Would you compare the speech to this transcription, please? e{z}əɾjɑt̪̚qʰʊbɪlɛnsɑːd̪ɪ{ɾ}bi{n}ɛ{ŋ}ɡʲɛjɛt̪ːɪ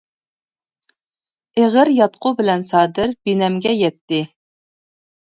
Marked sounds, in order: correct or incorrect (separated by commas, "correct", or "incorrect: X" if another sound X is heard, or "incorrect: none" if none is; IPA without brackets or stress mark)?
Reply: incorrect: ʁ, correct, correct, incorrect: m